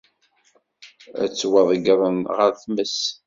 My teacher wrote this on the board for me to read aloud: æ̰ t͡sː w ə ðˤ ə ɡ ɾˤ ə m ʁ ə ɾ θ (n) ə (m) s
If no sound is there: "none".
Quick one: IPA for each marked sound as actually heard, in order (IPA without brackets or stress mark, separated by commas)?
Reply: m, none